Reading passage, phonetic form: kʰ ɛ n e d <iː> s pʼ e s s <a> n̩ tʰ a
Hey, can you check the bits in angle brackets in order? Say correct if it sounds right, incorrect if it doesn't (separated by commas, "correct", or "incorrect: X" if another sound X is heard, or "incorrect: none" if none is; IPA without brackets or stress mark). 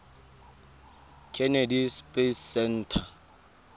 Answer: incorrect: i, incorrect: ɛ